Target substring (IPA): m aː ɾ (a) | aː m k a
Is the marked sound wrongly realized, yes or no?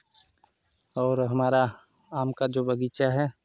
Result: no